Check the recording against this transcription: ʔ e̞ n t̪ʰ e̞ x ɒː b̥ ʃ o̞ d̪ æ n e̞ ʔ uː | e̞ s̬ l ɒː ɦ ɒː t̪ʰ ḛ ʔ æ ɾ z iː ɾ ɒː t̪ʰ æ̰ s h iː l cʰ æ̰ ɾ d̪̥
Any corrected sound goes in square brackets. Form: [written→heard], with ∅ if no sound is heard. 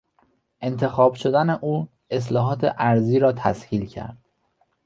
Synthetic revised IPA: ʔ e̞ n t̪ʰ e̞ x ɒː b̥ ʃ o̞ d̪ æ n e̞ ʔ uː | e̞ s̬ l ɒː ɦ ɒː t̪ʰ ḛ ʔ æ ɾ z iː ɾ ɒː t̪ʰ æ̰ s h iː l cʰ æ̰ ɾ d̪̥